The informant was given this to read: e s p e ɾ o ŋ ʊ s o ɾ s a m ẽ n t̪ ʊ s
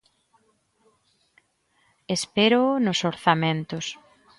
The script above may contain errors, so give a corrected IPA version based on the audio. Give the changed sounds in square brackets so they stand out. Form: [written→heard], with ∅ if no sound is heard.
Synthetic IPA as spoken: e s p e ɾ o [ŋ→n] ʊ s o ɾ [s→θ] a m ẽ n t̪ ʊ s